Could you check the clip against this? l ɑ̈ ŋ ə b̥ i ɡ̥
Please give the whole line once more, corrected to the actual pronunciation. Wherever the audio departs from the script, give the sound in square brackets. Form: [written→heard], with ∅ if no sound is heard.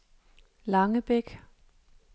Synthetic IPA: l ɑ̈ ŋ ə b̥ [i→e] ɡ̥